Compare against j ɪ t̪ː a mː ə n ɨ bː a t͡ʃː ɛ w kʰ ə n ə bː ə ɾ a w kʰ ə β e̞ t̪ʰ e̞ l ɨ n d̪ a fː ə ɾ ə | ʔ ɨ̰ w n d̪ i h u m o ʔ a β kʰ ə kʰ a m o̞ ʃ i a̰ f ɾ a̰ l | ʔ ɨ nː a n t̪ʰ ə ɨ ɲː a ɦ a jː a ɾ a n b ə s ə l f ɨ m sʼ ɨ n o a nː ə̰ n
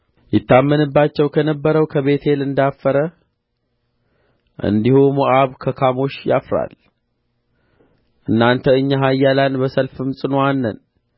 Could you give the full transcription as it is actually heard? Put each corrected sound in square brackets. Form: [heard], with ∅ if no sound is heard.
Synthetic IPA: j ɪ t̪ː a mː ə n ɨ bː a t͡ʃː ɛ w kʰ ə n ə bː ə ɾ [ə] w kʰ ə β e̞ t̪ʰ e̞ l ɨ n d̪ a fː ə ɾ ə | ʔ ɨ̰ [∅] n d̪ i h u m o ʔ a β kʰ ə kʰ a m o̞ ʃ [j] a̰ f ɾ a̰ l | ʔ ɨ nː a n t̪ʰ ə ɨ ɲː a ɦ a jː a [l] a n b ə s ə l f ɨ m sʼ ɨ n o a nː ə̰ n